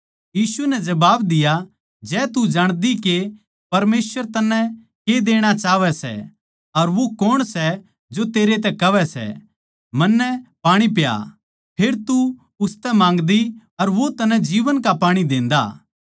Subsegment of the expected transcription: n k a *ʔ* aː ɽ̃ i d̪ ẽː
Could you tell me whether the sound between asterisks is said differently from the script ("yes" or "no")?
yes